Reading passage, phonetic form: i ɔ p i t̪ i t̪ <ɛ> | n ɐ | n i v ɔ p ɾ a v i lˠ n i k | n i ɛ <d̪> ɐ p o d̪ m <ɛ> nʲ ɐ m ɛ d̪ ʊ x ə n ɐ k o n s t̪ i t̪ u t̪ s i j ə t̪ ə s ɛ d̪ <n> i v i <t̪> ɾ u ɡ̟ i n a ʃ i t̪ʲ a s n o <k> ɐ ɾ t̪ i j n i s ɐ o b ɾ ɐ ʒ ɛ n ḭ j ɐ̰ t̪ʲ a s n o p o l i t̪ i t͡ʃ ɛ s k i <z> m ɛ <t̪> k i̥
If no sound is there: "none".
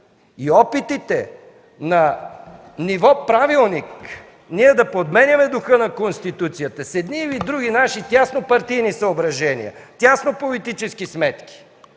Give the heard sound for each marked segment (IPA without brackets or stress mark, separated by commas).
ɛ, d̪, ɛ, n, d̪, p, s, t̪